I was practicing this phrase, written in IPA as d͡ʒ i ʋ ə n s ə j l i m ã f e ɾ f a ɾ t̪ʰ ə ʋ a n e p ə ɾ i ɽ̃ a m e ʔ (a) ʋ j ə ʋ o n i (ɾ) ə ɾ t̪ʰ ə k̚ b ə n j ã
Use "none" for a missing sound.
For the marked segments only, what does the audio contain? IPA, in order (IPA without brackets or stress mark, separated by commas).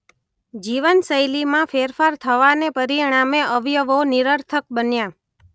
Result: ə, ɾ